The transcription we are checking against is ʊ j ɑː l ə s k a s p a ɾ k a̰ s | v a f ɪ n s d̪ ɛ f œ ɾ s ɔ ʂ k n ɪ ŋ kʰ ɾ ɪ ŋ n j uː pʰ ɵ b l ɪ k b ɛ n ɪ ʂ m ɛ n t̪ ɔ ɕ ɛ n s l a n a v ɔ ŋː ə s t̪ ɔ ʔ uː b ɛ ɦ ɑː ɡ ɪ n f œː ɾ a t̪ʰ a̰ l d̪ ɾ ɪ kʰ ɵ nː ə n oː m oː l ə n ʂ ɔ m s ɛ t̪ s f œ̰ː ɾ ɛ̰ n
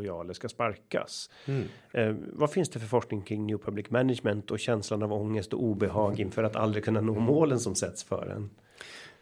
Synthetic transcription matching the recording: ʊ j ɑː l ə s k a s p a ɾ k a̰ s | v a f ɪ n s d̪ ɛ f œ ɾ f ɔ ʂ k n ɪ ŋ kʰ ɾ ɪ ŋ n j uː pʰ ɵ b l ɪ k m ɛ n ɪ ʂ m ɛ n t̪ ɔ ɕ ɛ n s l a n a v ɔ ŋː ə s t̪ ɔ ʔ uː b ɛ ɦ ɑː ɡ ɪ n f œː ɾ a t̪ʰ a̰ l d̪ ɾ ɪ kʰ ɵ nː a n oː m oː l ə n s ɔ m s ɛ t̪ s f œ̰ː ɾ ɛ̰ n